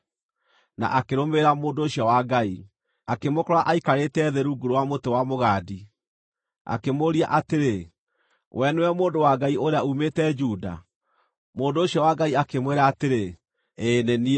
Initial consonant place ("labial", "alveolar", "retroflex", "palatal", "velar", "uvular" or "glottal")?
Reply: alveolar